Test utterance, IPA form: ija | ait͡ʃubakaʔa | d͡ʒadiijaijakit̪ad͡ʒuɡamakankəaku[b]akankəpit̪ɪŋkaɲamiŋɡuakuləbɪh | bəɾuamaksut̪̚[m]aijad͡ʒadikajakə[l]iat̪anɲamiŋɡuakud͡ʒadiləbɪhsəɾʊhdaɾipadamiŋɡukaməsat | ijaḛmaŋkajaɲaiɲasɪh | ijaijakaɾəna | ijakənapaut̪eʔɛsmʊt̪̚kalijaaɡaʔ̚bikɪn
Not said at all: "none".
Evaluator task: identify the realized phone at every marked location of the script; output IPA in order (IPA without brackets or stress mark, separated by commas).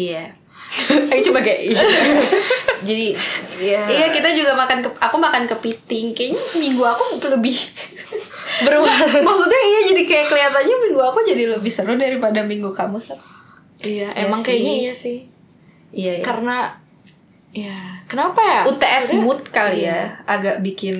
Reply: m, ɲ, l